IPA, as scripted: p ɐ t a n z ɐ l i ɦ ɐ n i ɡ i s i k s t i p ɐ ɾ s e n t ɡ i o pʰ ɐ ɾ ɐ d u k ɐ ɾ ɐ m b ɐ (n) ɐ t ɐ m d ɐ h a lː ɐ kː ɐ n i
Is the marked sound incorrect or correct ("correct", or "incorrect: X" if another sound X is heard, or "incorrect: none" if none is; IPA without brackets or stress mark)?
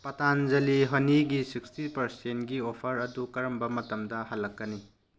incorrect: m